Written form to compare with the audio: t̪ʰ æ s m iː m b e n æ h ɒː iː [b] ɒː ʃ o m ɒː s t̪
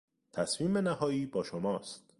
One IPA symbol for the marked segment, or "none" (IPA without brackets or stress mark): b